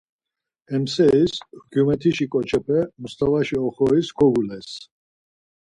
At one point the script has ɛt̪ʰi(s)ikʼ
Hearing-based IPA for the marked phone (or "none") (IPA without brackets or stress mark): ʃ